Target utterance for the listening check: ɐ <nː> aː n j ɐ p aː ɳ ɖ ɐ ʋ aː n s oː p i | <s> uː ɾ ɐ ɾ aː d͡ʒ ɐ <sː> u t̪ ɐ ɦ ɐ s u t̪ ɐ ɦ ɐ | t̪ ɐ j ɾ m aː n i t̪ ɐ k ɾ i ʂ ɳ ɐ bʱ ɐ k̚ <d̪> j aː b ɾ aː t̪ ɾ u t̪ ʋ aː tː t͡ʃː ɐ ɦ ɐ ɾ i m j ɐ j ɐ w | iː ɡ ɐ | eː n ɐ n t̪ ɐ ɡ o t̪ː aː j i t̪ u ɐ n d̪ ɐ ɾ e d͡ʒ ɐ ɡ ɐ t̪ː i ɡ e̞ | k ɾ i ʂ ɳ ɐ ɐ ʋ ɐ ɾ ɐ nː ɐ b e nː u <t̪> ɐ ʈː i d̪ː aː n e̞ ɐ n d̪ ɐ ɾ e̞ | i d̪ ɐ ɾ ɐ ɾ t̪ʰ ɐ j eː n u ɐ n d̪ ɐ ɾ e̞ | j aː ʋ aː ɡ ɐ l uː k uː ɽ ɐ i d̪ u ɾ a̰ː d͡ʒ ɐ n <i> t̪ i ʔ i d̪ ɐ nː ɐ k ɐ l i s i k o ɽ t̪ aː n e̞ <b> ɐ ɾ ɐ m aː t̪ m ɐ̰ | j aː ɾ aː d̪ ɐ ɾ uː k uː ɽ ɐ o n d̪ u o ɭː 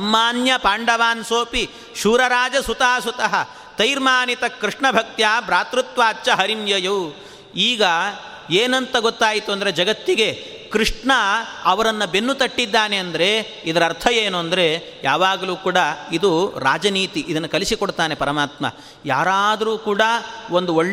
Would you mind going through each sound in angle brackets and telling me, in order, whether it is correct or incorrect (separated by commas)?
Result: incorrect, incorrect, incorrect, incorrect, correct, incorrect, incorrect